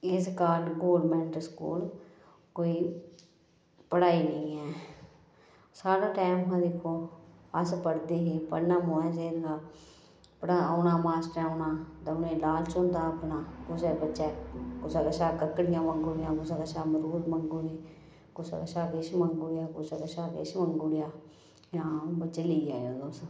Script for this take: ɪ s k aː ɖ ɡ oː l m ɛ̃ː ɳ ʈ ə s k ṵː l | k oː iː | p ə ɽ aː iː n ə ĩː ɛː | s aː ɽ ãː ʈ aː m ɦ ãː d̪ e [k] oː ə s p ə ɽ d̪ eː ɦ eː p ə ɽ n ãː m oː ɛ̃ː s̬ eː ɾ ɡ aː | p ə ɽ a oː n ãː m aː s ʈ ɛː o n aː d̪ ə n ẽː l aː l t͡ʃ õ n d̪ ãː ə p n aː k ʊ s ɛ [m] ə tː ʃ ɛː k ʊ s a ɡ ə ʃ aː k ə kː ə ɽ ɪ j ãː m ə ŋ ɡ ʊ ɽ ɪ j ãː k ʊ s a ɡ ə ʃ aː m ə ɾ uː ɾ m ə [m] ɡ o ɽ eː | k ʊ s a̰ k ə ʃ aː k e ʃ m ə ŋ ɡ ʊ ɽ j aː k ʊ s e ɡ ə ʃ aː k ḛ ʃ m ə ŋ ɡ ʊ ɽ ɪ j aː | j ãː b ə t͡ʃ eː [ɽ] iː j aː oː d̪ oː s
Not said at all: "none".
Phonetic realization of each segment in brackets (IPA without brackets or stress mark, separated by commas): kʰ, b, ŋ, l